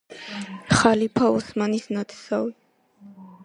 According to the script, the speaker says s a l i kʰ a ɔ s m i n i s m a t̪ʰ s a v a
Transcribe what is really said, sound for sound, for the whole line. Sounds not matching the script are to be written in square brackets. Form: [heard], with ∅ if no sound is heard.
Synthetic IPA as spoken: [χ] a l i [pʰ] a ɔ s m [a] n i s [n] a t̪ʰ s a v [i]